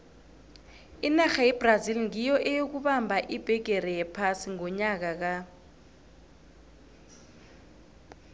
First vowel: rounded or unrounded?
unrounded